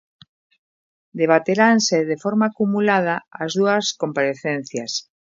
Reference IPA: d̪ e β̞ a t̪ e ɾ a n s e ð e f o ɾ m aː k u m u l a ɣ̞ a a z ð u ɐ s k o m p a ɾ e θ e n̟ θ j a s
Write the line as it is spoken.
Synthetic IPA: d̪ e β̞ a t̪ e ɾ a n s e ð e f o ɾ m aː k u m u l a ð̞ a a z ð u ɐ s k o m p a ɾ e θ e n̟ θ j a s